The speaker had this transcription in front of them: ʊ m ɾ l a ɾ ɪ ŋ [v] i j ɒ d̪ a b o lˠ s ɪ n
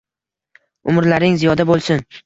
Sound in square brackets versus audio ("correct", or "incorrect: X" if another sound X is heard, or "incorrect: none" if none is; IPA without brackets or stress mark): incorrect: z